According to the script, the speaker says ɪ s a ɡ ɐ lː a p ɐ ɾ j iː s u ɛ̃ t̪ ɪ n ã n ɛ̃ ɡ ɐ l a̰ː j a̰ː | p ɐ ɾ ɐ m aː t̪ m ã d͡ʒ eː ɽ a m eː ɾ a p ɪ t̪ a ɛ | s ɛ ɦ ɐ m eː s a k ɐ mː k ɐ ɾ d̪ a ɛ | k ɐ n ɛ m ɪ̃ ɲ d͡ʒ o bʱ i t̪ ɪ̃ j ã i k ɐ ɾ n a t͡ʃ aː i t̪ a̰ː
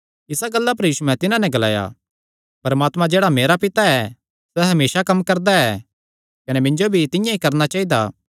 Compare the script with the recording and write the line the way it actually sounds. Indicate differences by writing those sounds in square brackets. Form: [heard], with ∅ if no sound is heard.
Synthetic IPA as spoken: ɪ s a ɡ ɐ lː a p ɐ ɾ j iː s u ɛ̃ t̪ ɪ n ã n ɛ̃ ɡ ɐ l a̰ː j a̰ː | p ɐ ɾ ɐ m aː t̪ m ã d͡ʒ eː ɽ a m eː ɾ a p ɪ t̪ a ɛ | s ɛ ɦ ɐ m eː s a k ɐ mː k ɐ ɾ d̪ a ɛ | k ɐ n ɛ m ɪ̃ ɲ d͡ʒ o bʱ i t̪ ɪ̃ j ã i k ɐ ɾ n a t͡ʃ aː i [d̪] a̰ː